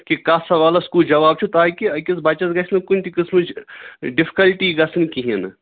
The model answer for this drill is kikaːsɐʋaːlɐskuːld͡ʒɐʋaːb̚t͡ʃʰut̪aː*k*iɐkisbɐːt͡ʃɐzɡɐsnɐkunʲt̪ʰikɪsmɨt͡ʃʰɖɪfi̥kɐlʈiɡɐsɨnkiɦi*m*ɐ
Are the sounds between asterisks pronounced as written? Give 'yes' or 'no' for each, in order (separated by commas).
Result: yes, no